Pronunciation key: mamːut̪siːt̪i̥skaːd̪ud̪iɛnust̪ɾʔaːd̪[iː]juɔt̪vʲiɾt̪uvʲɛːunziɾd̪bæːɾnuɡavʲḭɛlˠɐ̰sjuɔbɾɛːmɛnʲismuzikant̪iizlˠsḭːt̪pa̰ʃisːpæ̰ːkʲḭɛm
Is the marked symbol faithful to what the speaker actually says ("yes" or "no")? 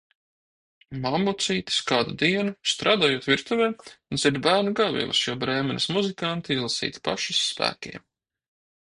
no